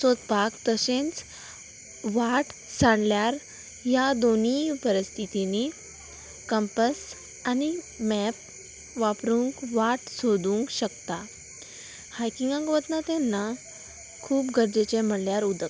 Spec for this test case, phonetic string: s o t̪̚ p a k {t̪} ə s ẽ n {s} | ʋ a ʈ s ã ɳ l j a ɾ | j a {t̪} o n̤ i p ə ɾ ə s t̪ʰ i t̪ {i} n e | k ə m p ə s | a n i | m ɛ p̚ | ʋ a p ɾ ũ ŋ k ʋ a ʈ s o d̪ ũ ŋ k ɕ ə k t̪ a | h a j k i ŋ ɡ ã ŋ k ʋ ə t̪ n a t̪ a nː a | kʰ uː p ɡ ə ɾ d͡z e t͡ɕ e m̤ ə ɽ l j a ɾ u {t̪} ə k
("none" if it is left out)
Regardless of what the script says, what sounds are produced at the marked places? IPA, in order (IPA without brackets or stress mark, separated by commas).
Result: t̪, t͡s, d̪, i, d̪